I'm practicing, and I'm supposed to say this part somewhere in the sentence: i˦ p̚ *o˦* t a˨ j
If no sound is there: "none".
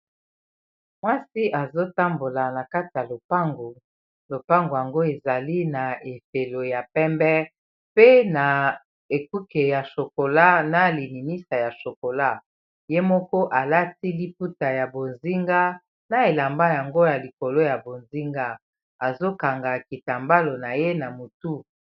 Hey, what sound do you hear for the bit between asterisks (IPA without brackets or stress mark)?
u˦